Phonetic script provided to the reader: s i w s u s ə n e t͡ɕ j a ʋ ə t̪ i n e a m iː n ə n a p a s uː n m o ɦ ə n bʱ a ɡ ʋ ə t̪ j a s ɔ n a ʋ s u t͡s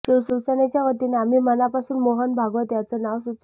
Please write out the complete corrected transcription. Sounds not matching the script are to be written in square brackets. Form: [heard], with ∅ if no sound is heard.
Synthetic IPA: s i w s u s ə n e t͡ɕ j a ʋ ə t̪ i n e a m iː [m] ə n a p a s uː n m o ɦ ə n bʱ a ɡ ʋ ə t̪ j a [t͡s] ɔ n a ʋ s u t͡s